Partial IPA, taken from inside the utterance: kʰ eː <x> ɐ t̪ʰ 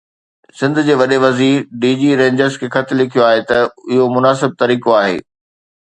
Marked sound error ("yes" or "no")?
no